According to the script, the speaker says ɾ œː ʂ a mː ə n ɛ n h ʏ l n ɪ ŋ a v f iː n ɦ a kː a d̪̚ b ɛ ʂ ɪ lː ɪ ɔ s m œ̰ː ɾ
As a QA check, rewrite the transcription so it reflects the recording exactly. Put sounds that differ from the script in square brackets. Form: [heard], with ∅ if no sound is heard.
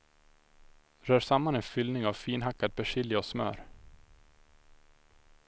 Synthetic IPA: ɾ œː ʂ a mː [a] n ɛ n [f] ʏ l n ɪ ŋ a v f iː n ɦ a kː a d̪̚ b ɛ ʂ ɪ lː ɪ ɔ s m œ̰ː ɾ

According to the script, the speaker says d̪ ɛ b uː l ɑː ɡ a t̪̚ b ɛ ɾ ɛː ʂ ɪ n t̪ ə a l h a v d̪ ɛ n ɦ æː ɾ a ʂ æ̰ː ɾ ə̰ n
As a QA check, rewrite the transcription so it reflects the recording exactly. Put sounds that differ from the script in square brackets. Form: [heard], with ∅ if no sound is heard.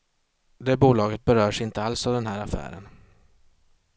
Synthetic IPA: d̪ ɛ b uː l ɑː ɡ [ə] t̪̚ b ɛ ɾ [œː] ʂ ɪ n t̪ ə a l [s] a v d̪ ɛ n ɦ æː ɾ a [f] æ̰ː ɾ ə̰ n

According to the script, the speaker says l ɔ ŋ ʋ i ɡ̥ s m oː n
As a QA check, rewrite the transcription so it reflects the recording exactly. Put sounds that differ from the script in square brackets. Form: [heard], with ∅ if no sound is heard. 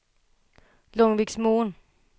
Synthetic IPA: l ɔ ŋ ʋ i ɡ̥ s m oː n

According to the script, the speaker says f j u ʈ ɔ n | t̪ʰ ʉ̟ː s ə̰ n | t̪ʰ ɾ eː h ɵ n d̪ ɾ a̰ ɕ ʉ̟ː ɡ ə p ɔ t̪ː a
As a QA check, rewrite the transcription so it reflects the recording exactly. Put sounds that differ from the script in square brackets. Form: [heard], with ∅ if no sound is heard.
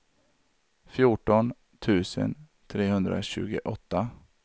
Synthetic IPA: f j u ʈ ɔ n | t̪ʰ ʉ̟ː s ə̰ n | t̪ʰ ɾ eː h ɵ n d̪ ɾ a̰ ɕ ʉ̟ː ɡ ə [ʔ] ɔ t̪ː a

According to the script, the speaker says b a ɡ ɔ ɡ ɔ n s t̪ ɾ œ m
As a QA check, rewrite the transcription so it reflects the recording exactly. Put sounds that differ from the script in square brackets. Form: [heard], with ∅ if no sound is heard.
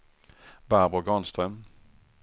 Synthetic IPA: b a [b] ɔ ɡ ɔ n s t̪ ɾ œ m

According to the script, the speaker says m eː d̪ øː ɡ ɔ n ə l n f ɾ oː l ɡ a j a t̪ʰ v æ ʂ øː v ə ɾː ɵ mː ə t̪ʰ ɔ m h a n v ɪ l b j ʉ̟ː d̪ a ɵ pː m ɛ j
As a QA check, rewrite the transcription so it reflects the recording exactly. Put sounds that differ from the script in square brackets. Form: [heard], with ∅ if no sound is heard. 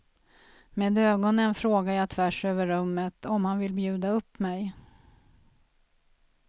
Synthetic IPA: m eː d̪ øː ɡ ɔ n ə [∅] n f ɾ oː [∅] ɡ a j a t̪ʰ v æ ʂ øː v ə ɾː ɵ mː ə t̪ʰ ɔ m h a n v ɪ l b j ʉ̟ː d̪ a ɵ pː m ɛ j

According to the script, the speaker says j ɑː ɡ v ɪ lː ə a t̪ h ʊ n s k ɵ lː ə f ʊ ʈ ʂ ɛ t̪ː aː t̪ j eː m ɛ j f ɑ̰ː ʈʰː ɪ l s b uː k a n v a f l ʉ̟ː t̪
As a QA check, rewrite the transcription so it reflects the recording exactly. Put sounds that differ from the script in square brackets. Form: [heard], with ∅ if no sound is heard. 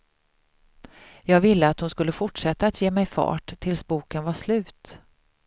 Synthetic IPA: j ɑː ɡ v ɪ lː ə a t̪ h ʊ n s k ɵ lː ə f ʊ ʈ ʂ ɛ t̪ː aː t̪ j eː m ɛ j f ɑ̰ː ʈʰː ɪ l s b uː k [ə] n v a [ʂ] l ʉ̟ː t̪

